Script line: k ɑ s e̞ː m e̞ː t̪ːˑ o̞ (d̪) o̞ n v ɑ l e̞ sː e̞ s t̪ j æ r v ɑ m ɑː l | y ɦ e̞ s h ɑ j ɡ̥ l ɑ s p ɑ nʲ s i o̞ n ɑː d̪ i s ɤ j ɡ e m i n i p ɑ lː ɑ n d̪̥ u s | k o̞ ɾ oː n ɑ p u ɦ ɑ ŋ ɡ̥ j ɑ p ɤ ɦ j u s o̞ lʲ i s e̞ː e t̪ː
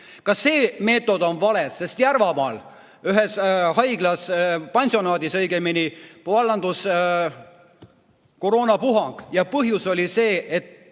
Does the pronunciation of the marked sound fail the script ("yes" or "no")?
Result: no